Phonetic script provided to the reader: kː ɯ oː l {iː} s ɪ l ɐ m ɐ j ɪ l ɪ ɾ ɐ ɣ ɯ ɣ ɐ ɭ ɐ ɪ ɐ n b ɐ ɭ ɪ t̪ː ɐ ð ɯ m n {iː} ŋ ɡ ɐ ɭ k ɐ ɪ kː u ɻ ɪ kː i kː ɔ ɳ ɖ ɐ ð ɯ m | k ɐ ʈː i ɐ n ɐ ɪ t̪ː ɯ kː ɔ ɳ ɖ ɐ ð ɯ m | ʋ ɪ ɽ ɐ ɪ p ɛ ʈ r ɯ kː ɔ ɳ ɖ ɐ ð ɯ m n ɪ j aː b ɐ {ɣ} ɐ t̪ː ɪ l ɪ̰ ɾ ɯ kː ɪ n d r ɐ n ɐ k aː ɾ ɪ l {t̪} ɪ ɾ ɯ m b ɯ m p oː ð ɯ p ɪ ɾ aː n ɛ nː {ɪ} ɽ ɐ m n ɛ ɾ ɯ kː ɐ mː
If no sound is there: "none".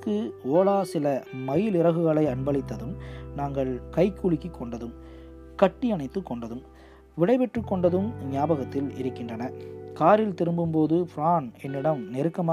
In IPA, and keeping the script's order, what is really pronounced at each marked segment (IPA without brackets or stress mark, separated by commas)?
aː, aː, ɣ, t̪, ɪ